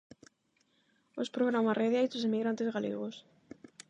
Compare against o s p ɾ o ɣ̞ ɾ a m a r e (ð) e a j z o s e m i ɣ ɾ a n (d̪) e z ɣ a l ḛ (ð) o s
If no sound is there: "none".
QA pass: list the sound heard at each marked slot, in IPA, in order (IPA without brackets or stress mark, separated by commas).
ð, t̪, ɣ